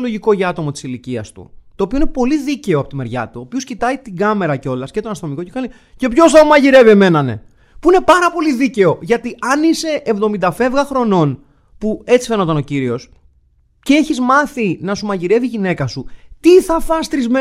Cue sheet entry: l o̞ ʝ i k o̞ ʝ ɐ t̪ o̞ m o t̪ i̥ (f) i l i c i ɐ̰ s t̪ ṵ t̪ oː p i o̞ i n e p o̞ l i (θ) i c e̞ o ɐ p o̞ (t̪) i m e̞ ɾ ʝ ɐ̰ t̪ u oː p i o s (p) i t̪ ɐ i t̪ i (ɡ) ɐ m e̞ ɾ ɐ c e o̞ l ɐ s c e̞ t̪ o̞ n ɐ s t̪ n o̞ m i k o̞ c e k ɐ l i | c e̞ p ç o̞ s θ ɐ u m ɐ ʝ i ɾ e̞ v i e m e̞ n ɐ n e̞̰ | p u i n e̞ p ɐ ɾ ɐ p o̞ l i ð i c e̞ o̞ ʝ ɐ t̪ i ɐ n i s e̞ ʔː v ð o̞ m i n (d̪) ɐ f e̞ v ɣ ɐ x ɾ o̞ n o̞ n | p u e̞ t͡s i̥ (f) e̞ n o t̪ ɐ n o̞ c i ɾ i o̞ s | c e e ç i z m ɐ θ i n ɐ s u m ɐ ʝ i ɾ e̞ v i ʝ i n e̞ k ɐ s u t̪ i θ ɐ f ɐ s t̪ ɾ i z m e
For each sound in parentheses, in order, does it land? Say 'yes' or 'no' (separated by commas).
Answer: no, no, yes, no, yes, yes, yes